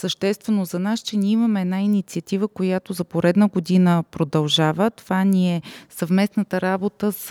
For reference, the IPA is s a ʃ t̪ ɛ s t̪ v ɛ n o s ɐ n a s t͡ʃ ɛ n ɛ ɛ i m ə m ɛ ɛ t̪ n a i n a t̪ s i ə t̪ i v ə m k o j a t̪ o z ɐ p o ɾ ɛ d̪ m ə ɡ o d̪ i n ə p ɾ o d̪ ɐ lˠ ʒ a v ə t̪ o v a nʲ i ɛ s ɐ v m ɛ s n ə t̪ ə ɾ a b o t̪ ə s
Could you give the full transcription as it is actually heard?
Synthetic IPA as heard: s ə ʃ t̪ ɛ s t̪ v ɛ n o z ɐ n a s t͡ʃ ɛ n i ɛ i m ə m ɛ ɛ d̪ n a i n i t̪ s i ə t̪ i v ə k o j a t̪ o z ɐ p o ɾ ɛ d̪ n ə ɡ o d̪ i n ə p ɾ o d̪ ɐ lˠ ʒ a v ə t̪ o v a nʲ i ɛ s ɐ v m ɛ s n ə t̪ ə ɾ a b o t̪ ə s